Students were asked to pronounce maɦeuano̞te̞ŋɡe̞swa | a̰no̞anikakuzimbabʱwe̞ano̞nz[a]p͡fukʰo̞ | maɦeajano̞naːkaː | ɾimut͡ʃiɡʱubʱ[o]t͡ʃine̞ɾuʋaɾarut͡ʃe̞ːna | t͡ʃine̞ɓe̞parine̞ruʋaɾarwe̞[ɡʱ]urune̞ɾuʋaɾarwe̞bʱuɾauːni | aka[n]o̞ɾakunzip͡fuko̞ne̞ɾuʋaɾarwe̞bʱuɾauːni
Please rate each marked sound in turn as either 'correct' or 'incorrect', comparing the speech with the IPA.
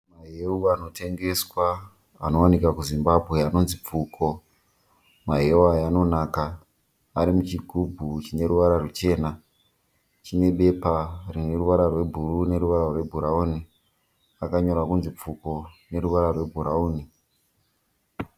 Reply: incorrect: i, incorrect: u, incorrect: bʱ, incorrect: ɲ

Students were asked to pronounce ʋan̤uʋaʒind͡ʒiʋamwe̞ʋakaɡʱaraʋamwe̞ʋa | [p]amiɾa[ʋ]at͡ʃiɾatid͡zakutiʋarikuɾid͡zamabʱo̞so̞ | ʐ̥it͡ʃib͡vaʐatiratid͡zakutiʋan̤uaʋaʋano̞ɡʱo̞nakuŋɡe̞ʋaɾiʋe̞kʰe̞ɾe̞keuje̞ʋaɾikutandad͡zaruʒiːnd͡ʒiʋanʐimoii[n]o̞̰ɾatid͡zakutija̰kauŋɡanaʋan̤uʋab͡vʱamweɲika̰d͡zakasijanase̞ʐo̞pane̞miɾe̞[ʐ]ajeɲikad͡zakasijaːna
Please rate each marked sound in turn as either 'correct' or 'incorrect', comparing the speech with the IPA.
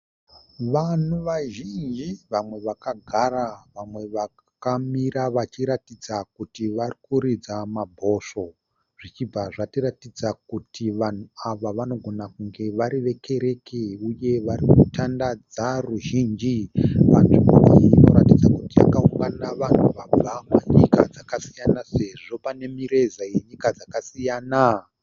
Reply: incorrect: k, correct, correct, incorrect: z

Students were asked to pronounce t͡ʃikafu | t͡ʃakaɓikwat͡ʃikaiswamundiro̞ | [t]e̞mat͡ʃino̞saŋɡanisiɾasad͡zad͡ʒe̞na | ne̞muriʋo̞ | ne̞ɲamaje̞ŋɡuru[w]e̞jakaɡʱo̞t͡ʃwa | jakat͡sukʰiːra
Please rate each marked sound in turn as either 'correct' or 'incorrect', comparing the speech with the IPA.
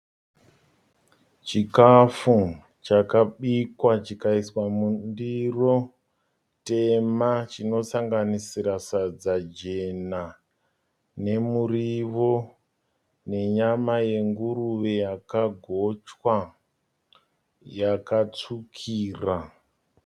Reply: correct, incorrect: ʋ

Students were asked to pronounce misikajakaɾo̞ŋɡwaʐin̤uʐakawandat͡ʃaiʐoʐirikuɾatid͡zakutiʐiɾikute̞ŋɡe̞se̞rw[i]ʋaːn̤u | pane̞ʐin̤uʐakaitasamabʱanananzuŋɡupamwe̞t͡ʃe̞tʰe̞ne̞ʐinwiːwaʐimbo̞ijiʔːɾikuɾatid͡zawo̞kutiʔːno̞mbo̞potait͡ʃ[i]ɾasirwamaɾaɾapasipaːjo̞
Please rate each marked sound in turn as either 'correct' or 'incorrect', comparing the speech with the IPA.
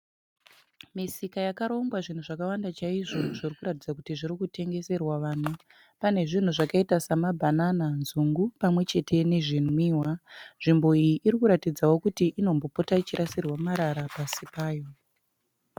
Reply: incorrect: a, correct

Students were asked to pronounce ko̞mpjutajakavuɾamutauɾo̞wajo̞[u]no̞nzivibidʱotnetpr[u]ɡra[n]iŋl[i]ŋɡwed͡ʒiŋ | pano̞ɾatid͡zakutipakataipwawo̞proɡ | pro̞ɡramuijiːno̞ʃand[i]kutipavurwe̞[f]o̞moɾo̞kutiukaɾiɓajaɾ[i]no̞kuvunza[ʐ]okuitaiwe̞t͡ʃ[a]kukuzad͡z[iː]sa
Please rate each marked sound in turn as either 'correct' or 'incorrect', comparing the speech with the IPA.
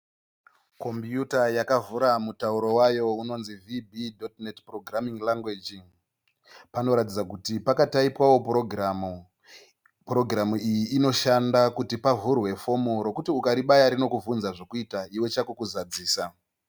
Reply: correct, incorrect: o, incorrect: m, incorrect: a, incorrect: a, correct, correct, correct, correct, correct

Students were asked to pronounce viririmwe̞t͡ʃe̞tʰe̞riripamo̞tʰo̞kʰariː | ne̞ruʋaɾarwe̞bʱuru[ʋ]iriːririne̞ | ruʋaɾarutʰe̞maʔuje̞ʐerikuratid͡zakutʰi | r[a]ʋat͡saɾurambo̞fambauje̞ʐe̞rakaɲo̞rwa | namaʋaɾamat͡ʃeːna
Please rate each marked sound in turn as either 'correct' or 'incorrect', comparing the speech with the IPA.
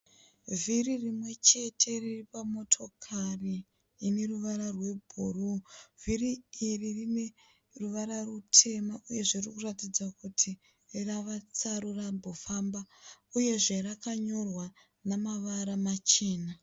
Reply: incorrect: v, correct

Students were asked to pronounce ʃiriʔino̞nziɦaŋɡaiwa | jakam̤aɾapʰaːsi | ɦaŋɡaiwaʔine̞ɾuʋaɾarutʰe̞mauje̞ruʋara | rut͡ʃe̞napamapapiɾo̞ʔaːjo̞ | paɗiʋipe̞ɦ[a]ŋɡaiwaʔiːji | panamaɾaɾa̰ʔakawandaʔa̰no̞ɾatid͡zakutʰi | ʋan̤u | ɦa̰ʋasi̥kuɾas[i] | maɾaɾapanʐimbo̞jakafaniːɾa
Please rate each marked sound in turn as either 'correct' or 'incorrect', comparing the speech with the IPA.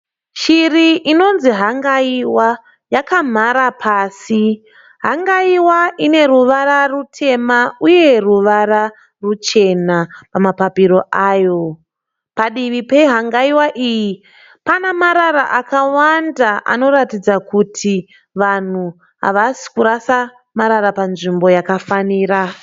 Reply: correct, incorrect: a

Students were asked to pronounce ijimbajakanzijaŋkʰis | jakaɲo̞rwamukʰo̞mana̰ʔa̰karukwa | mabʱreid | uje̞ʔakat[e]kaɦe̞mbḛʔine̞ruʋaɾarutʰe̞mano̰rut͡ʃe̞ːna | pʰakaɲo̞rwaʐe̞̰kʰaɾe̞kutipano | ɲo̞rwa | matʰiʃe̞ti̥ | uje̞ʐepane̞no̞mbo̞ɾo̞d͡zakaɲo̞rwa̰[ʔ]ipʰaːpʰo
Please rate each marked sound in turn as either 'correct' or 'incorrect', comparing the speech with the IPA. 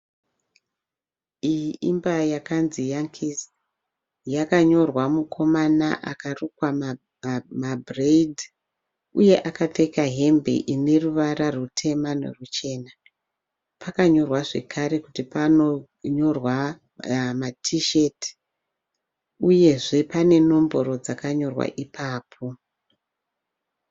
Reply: correct, correct

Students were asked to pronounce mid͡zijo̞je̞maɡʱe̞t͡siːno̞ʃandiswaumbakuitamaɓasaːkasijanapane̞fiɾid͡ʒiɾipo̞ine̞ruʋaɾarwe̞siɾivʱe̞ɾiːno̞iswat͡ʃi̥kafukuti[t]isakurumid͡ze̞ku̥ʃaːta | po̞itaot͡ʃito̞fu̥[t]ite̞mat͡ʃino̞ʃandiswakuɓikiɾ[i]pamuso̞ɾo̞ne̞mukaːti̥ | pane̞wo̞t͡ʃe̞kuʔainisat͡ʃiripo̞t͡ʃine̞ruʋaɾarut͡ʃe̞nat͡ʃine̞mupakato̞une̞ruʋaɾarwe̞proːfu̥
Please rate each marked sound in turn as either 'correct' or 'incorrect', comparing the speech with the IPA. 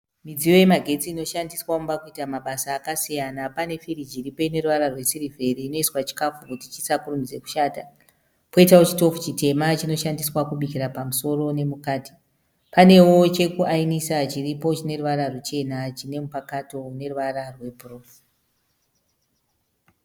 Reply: incorrect: t͡ʃ, incorrect: t͡ʃ, incorrect: a

